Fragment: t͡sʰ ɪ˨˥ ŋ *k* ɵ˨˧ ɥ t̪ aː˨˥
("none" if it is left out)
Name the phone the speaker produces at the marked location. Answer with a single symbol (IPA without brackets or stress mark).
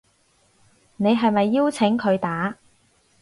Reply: kʰ